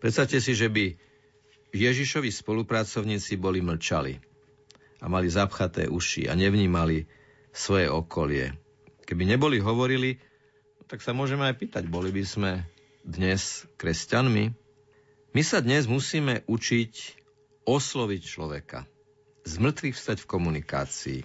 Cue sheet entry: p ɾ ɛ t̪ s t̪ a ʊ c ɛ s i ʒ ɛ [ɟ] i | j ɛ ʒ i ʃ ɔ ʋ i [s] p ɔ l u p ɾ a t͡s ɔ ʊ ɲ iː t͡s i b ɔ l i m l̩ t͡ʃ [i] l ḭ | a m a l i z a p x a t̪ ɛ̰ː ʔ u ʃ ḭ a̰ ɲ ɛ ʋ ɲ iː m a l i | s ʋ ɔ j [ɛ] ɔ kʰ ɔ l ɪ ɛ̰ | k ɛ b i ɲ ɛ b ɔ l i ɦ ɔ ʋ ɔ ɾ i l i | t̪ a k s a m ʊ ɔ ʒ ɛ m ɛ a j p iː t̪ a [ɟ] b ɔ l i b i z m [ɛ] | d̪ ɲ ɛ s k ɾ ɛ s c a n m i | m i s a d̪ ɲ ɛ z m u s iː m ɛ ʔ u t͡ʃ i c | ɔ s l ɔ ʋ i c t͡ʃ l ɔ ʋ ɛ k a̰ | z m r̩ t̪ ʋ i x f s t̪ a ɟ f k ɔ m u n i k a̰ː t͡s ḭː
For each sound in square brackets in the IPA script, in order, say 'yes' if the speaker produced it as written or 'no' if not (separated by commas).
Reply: no, yes, no, yes, yes, yes